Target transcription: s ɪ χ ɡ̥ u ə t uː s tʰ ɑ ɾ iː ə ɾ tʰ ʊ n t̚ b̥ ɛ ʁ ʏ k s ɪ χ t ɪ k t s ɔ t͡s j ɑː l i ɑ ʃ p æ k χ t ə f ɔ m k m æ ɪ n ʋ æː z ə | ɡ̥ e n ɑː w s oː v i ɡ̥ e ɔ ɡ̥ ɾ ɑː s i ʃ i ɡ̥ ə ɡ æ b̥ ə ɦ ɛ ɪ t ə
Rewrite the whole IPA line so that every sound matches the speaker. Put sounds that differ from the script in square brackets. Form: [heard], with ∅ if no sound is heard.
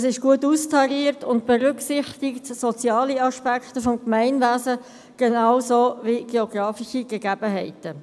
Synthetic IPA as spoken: s ɪ [ʃ] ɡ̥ u ə t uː s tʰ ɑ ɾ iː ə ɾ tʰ ʊ n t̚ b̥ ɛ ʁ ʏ k s ɪ χ t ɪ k t s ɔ t͡s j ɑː l i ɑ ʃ p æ k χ t ə f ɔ m k m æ ɪ n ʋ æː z ə | ɡ̥ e n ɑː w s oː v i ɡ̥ e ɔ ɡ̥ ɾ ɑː [f] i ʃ i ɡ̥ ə ɡ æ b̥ ə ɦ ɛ ɪ t ə